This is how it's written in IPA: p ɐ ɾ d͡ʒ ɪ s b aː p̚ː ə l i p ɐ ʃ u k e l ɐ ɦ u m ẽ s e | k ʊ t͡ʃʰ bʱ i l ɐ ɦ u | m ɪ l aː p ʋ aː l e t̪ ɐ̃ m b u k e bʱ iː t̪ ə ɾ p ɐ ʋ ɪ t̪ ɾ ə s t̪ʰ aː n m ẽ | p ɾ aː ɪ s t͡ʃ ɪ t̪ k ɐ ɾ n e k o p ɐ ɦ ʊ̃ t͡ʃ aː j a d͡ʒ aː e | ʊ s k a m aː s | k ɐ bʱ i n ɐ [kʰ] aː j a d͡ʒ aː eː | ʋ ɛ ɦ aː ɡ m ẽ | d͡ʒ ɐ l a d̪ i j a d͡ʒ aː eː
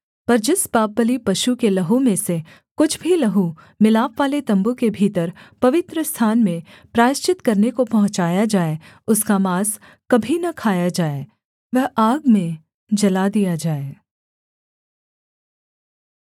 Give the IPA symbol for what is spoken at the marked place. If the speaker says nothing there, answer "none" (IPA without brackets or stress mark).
kʰ